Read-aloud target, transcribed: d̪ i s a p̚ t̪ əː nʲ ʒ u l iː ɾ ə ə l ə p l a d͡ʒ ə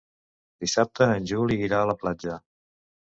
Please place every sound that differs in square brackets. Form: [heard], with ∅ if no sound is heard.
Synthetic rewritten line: d̪ i s a p̚ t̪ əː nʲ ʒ u l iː ɾ [a] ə l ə p l a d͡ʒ ə